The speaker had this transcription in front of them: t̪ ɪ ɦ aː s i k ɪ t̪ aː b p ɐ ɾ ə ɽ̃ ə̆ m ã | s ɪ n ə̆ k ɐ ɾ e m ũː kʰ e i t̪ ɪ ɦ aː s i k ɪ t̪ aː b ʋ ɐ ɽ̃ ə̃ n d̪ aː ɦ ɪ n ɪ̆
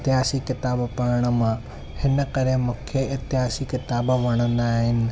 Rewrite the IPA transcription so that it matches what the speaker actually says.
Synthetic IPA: t̪ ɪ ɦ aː s i k ɪ t̪ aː b p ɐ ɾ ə ɽ̃ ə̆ m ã | h ɪ n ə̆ k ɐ ɾ e m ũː kʰ e ɪ t̪ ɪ ɦ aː s i k ɪ t̪ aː b ʋ ɐ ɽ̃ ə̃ n d̪ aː ɦ ɪ n ɪ̆

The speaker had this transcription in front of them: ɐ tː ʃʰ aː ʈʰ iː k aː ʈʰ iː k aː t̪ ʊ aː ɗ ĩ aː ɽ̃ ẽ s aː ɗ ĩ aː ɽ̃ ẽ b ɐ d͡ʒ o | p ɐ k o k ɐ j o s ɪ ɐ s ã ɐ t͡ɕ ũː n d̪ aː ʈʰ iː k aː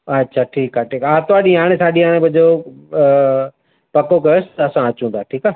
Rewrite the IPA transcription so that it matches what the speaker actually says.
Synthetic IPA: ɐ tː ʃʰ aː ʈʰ iː k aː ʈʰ iː k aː t̪ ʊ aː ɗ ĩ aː ɽ̃ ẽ s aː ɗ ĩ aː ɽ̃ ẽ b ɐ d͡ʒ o | p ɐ k o k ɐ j o s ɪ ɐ s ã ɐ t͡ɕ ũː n d̪ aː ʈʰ iː k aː

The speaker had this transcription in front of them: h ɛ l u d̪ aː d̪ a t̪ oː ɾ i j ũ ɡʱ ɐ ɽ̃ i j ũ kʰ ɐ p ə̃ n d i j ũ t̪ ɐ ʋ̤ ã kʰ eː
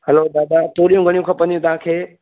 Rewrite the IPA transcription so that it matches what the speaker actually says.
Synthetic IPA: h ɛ l o d̪ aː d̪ a t̪ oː ɾ i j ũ ɡʱ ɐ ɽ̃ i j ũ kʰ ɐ p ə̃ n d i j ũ t̪ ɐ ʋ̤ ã kʰ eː

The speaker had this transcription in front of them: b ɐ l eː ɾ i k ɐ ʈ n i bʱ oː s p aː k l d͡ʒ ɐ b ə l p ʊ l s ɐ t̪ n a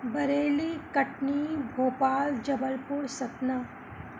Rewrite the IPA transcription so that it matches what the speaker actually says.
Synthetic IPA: b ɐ ɾ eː l i k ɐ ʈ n i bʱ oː p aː l d͡ʒ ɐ b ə l p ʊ ɾ s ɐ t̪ n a

